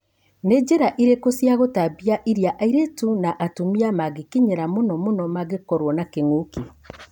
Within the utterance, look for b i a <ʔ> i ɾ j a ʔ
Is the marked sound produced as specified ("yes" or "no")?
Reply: yes